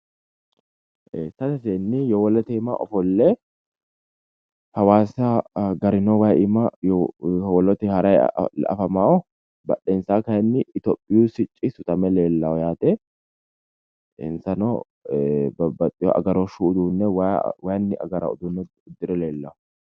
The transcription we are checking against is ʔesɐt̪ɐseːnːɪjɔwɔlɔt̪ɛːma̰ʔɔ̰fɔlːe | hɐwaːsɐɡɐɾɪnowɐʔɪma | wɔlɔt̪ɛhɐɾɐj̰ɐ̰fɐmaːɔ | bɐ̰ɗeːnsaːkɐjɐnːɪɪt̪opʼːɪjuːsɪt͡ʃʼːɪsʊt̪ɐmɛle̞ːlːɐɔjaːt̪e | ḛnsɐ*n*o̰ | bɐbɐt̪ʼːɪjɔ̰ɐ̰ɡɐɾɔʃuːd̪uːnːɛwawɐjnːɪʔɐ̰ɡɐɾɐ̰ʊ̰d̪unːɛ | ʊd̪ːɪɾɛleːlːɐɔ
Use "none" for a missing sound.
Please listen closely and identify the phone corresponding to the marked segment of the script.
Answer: n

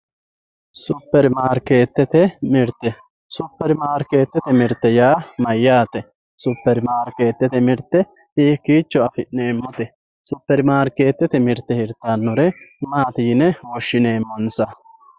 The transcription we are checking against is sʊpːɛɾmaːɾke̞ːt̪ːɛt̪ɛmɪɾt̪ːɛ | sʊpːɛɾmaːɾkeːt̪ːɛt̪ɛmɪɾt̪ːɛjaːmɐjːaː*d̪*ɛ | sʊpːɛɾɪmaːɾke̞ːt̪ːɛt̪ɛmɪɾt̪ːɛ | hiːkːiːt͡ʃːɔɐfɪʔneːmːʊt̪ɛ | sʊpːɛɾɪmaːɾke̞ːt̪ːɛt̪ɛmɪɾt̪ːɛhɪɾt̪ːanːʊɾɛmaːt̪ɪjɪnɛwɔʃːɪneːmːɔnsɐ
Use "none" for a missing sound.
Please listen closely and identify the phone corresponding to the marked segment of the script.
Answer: t̪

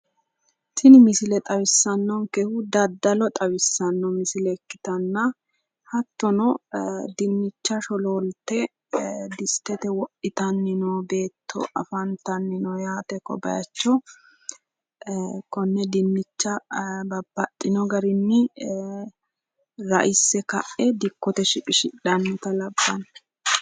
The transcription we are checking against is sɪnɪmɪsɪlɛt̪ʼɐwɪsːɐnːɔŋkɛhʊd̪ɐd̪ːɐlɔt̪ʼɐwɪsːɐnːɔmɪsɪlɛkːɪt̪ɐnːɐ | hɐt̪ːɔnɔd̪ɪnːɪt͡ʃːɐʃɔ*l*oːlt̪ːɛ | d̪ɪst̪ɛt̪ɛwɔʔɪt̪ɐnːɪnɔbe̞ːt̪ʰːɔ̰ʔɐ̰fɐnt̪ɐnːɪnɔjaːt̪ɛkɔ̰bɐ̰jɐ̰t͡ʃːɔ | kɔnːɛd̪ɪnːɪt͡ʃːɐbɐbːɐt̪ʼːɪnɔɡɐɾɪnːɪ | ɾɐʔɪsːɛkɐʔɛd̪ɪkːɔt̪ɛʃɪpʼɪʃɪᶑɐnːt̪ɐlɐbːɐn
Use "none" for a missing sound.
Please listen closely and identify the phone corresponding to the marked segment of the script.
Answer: l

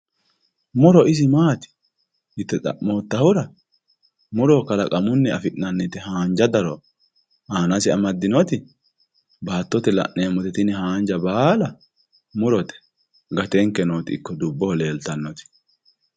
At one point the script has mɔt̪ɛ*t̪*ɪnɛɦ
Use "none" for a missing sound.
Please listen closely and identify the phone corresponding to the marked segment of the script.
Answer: t̪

